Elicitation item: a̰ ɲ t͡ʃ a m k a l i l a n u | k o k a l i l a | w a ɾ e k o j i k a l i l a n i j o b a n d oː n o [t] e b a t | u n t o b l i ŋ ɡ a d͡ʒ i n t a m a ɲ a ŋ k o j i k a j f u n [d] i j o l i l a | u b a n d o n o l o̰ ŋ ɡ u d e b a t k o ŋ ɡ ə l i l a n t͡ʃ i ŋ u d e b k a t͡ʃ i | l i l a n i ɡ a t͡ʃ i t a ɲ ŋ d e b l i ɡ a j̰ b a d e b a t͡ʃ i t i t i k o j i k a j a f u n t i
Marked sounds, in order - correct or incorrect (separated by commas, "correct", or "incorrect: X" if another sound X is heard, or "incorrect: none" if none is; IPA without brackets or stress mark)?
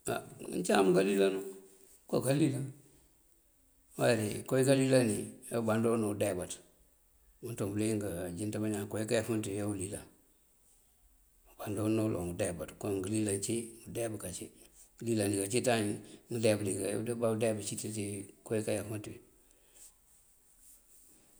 incorrect: d, incorrect: t